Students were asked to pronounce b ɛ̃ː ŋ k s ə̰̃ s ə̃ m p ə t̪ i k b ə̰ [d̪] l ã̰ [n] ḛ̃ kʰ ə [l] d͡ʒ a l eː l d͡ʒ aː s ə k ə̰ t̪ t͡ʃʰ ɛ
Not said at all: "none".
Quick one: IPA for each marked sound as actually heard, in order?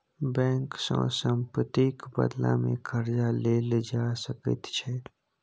d̪, m, ɾ

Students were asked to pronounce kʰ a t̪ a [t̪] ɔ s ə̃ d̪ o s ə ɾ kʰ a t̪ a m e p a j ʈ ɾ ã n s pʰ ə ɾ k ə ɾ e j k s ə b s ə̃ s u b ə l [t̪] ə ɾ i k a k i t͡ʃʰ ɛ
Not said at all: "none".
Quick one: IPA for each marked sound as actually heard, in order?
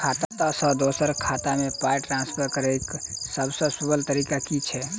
t̪, t̪

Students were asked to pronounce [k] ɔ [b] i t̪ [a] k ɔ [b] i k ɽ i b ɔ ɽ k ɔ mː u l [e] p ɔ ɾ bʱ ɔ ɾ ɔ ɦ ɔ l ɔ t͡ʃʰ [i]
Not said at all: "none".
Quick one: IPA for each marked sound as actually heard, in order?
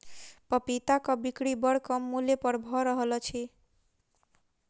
p, p, a, b, e, i

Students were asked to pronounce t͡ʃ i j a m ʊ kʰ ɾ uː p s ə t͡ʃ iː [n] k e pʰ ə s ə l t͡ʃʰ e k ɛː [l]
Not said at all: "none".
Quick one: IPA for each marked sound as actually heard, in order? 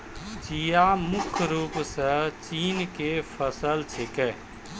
n, none

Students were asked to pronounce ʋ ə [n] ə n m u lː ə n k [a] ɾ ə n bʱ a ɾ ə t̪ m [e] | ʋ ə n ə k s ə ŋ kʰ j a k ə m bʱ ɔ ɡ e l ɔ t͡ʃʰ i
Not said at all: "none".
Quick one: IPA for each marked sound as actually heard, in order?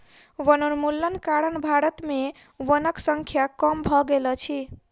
n, a, e

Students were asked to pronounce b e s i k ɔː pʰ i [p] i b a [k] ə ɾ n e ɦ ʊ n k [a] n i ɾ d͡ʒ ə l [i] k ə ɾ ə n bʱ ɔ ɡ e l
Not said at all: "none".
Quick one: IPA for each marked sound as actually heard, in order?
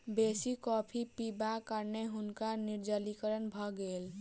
p, k, a, i

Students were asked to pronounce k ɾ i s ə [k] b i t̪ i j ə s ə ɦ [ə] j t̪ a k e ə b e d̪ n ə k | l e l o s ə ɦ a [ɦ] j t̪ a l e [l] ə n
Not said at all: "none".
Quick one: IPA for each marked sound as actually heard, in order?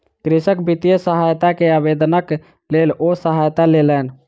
k, a, none, l

